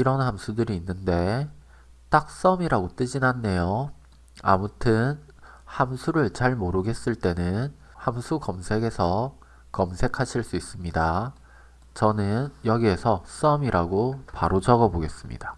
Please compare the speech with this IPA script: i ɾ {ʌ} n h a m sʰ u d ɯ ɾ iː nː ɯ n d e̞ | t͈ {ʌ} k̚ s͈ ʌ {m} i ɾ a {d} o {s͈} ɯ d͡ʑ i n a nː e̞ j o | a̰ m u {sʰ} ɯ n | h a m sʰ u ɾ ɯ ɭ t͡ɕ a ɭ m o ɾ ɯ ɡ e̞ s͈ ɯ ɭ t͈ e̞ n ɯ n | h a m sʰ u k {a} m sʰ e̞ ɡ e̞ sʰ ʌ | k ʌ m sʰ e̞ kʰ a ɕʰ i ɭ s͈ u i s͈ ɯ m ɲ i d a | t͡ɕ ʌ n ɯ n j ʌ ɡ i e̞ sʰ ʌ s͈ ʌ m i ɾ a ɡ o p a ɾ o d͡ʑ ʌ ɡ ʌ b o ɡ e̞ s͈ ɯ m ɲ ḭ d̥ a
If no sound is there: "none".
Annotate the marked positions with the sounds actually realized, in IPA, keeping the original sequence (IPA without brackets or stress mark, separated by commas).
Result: ʌ, a, m, ɡ, t͈, tʰ, ʌ